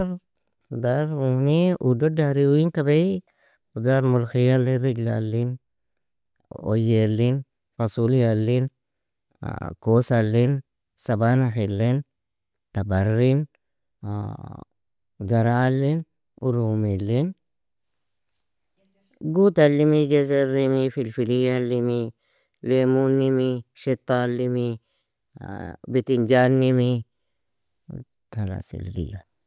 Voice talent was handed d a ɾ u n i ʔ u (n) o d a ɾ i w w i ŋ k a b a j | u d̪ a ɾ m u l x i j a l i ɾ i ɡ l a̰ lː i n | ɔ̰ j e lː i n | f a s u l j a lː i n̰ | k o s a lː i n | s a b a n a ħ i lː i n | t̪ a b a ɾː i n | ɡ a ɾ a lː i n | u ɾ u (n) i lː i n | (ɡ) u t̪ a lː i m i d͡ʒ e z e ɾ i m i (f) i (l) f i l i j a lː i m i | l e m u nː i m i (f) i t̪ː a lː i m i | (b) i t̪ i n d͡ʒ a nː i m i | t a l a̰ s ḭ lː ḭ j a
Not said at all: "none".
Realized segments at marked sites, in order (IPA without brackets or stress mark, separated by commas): d, m, ɡ, f, l, ʃ, b